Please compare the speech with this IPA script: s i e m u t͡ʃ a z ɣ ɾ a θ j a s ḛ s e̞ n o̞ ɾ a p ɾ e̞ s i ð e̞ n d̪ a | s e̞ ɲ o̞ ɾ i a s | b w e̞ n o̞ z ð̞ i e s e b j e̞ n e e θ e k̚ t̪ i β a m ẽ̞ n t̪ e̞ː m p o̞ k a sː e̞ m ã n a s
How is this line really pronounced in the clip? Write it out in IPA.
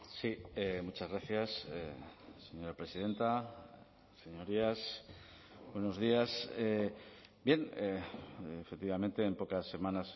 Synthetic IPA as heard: s i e m u t͡ʃ a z ɣ ɾ a θ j a s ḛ s e̞ ɲ o̞ ɾ a p ɾ e̞ s i ð e̞ n t̪ a | s e̞ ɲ o̞ ɾ i a s | b w e̞ n o̞ z ð̞ i a s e b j e̞ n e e f e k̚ t̪ i β a m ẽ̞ n t̪ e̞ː m p o̞ k a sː e̞ m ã n a s